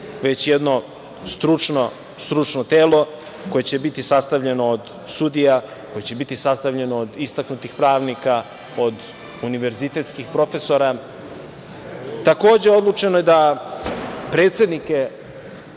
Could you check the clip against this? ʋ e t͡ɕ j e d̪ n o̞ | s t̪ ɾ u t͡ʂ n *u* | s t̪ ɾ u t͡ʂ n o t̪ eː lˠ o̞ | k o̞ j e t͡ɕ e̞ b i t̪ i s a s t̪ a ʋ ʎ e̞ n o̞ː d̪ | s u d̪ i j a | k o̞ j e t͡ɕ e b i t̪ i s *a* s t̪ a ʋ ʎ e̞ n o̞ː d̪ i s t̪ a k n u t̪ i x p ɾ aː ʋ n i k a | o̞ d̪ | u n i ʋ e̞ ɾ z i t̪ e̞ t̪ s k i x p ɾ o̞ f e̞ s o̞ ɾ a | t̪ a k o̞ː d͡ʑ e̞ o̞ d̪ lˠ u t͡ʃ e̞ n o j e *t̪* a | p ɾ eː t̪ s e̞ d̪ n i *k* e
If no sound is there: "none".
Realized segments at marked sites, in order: o, a, d̪, k

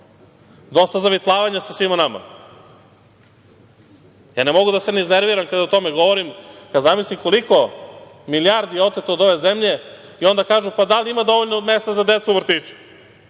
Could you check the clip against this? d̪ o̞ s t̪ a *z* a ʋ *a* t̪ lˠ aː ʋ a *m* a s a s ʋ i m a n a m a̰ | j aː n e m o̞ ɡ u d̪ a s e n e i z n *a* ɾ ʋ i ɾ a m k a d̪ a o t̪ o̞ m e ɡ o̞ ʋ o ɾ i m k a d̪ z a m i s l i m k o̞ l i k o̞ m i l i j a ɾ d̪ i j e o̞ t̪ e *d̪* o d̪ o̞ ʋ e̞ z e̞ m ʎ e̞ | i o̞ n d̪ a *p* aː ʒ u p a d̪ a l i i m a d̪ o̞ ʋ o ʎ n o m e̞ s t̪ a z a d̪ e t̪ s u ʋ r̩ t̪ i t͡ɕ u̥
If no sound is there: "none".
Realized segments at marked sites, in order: z, i, ɲ, e, t̪, k

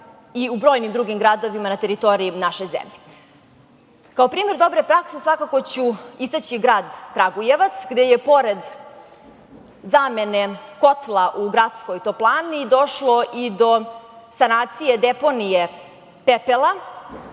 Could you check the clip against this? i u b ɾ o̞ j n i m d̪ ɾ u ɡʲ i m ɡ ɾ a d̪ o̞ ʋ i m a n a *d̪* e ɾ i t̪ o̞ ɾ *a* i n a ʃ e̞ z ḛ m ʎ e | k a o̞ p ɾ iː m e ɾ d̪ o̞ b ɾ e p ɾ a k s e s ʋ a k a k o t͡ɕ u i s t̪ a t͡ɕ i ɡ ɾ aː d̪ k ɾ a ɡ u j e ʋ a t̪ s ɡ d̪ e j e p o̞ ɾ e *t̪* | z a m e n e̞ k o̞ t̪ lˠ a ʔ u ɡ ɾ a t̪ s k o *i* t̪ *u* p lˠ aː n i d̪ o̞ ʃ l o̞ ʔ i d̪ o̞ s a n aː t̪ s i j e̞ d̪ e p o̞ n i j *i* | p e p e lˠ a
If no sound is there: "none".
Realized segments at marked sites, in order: t̪, i, d̪, j, o, e

